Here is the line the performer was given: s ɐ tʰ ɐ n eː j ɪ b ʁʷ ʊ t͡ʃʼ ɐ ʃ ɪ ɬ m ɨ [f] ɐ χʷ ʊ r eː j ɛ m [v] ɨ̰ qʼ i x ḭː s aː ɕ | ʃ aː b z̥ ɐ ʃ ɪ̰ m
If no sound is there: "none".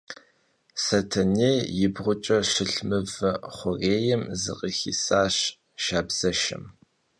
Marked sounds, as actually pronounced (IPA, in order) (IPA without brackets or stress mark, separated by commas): v, z